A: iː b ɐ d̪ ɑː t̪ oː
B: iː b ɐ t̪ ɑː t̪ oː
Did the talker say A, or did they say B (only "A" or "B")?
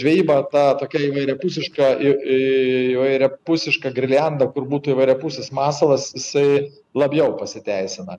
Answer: B